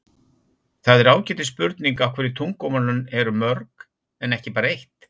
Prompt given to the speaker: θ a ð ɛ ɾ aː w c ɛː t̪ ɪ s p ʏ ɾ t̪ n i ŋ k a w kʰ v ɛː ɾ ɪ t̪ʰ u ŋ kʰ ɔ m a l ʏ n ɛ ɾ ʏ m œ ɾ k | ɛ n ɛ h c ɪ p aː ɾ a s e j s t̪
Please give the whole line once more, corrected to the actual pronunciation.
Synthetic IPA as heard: θ a ð ɛ ɾ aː w c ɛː t̪ ɪ s p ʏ ɾ t̪ n i ŋ k a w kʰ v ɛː ɾ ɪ t̪ʰ u ŋ k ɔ m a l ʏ n ɛ ɾ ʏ m œ ɾ k | ɛ n ɛ h c ɪ p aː ɾ a e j h t̪